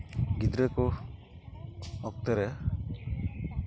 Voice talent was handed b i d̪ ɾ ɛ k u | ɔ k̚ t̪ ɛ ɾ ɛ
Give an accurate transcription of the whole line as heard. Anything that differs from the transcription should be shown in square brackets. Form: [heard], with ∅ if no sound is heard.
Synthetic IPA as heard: [ɡ] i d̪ ɾ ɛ k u | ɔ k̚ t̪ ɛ ɾ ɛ